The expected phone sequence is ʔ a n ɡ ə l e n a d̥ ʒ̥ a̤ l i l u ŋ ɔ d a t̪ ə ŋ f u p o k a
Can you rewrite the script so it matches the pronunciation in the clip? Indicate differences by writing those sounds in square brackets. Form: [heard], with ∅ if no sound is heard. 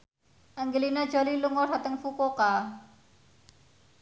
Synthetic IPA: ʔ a [ŋ] ɡ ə l [i] n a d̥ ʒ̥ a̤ l i l u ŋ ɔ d a t̪ ə ŋ f u [k] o k a